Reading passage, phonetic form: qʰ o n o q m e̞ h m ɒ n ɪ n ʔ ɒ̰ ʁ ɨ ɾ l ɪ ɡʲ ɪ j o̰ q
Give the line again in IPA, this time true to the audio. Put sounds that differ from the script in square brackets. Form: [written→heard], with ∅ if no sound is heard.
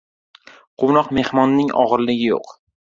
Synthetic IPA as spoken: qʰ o n [o→ɒ] q m e̞ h m ɒ [n→nː] ɪ [n→ŋ] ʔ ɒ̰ ʁ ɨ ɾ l ɪ ɡʲ ɪ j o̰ q